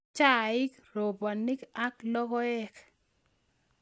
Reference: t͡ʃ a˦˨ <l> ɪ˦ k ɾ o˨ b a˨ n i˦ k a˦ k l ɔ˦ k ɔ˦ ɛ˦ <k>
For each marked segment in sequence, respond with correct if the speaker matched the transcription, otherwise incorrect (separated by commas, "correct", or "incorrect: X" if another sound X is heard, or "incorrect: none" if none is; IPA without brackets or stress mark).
incorrect: none, correct